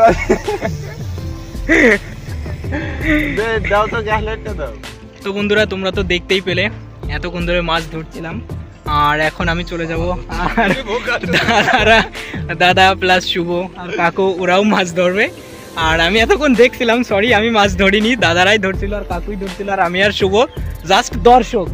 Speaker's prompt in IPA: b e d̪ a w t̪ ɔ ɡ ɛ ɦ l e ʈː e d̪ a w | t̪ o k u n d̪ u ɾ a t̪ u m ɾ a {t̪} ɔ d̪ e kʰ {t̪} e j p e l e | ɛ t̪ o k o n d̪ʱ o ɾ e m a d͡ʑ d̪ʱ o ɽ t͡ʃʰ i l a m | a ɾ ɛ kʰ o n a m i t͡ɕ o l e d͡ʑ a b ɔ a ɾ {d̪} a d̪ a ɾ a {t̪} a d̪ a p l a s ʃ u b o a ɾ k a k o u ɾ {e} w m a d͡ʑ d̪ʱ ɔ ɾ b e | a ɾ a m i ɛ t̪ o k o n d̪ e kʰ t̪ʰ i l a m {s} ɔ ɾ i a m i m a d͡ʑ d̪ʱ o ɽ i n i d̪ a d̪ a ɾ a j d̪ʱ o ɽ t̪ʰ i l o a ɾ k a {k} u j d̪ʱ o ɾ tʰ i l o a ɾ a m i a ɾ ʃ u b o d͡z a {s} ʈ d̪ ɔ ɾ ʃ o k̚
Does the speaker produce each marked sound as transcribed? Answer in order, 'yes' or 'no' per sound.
yes, yes, yes, no, no, yes, yes, yes

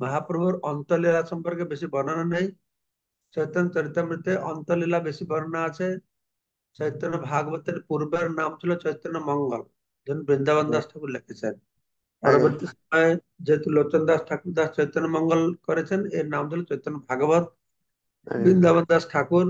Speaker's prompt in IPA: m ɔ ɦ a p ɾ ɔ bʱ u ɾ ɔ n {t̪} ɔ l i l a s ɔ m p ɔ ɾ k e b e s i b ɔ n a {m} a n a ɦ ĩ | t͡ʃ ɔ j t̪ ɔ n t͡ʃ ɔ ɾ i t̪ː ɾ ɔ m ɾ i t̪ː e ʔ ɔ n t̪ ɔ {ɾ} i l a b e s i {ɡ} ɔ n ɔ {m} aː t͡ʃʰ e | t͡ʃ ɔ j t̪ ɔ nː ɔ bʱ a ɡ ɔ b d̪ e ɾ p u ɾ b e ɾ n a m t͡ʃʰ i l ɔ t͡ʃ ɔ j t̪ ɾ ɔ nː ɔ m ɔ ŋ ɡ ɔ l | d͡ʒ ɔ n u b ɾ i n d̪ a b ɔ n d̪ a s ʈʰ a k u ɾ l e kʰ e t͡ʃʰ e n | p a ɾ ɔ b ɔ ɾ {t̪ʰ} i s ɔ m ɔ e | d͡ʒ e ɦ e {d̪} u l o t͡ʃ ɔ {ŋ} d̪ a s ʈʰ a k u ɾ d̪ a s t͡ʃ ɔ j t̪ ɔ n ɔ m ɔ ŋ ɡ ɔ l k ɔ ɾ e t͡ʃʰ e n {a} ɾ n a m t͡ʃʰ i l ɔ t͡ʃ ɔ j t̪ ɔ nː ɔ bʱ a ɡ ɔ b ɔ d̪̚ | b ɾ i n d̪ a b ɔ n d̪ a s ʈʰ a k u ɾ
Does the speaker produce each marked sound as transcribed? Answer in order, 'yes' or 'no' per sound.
yes, no, no, no, no, no, no, no, no

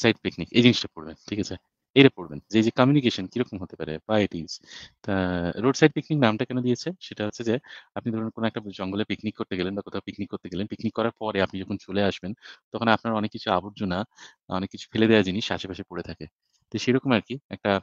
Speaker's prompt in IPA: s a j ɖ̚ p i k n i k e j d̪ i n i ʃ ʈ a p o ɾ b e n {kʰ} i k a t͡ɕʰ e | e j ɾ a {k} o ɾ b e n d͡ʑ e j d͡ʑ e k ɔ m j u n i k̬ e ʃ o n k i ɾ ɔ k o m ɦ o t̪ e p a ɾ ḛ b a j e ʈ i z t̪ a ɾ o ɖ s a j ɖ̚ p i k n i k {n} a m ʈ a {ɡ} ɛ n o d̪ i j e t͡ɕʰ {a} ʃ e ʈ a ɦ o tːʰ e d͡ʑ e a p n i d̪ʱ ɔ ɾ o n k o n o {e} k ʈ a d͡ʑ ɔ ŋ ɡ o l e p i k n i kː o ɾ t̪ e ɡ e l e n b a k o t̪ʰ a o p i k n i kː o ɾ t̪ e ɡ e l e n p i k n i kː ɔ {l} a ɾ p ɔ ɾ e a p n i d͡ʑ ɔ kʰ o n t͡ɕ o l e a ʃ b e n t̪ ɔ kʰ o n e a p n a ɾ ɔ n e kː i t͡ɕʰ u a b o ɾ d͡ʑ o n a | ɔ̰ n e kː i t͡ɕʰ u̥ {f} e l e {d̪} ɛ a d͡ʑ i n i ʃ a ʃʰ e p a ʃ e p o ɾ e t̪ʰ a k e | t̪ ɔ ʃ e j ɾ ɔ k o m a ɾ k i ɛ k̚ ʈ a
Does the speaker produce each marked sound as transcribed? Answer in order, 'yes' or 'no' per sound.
no, no, yes, no, no, no, no, yes, yes

